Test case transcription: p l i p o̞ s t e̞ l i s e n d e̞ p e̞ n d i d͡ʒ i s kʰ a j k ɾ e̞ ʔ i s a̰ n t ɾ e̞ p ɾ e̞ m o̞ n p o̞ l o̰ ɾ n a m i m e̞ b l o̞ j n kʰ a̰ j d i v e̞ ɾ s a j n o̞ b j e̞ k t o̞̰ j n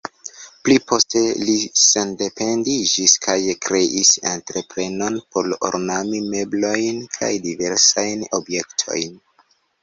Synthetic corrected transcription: p l i p o̞ s t e̞ l i s e n d e̞ p e̞ n d i d͡ʒ i s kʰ a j k ɾ e̞ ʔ i s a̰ n t ɾ e̞ p ɾ e̞ n o̞ n p o̞ l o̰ ɾ n a m i m e̞ b l o̞ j n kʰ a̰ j d i v e̞ ɾ s a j n o̞ b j e̞ k tʰ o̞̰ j n

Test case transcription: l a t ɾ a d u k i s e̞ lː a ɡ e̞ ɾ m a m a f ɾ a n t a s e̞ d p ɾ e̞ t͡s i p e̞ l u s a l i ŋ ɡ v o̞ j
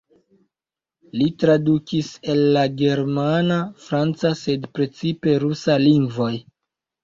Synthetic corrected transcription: l i t ɾ a d u k i s e̞ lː a ɡ e̞ ɾ m a n a f ɾ a n t͡s a s e̞ d p ɾ e̞ t͡s i p e̞ ɾ u s a l i ŋ ɡ v o̞ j

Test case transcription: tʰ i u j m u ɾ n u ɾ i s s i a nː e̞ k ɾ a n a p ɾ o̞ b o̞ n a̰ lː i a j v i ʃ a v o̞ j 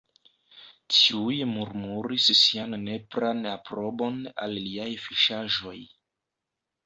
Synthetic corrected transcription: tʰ i u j m u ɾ m u ɾ i s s i a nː e̞ p ɾ a n a p ɾ o̞ b o̞ n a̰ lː i a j f i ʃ a ʒ o̞ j

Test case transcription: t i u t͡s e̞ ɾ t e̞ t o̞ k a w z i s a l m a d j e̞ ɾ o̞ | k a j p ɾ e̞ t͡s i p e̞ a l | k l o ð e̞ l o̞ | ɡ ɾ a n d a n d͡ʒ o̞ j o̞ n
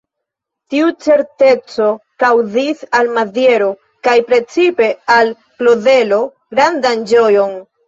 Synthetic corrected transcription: t i u t͡s e̞ ɾ t e̞ t͡s o̞ k a w z i s a l m a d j e̞ ɾ o̞ | k a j p ɾ e̞ t͡s i p e̞ a l | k l o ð e̞ l o̞ | ɡ ɾ a n d a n d͡ʒ o̞ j o̞ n

